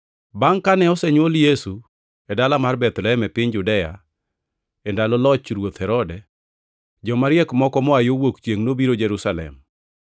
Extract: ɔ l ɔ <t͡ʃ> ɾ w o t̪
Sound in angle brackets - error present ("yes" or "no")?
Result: no